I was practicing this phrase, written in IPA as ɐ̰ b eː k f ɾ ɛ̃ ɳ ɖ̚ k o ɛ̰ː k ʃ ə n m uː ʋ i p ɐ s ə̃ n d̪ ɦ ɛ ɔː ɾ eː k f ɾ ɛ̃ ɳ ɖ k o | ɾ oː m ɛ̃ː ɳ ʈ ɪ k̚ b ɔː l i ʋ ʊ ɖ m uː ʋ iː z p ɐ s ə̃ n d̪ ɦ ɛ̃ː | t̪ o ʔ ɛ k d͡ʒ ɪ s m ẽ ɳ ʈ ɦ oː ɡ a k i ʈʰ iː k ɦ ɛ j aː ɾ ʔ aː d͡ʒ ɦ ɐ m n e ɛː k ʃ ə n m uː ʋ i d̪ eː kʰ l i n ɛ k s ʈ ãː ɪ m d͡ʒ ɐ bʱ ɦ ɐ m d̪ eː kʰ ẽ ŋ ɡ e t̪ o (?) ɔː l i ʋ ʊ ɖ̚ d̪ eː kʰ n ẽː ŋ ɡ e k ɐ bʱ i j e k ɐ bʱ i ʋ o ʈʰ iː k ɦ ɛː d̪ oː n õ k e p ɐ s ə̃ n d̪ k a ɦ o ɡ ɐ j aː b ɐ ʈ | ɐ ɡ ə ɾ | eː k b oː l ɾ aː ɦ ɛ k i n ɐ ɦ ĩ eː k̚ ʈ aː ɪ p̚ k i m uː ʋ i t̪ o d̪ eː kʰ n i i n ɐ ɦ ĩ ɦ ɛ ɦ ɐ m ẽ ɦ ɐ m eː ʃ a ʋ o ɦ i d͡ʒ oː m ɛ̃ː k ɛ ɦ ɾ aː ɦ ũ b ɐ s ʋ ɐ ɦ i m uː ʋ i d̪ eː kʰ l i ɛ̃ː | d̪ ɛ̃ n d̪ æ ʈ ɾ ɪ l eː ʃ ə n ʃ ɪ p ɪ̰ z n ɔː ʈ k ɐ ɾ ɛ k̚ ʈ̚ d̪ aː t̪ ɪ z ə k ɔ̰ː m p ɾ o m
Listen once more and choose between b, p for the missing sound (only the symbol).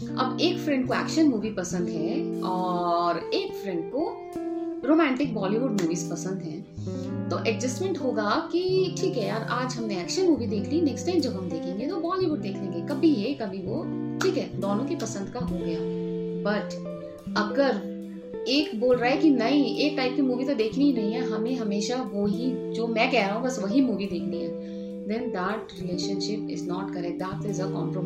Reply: b